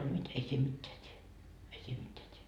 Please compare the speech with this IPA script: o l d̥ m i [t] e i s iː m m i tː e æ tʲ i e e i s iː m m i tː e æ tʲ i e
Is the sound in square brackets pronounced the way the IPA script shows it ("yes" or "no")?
yes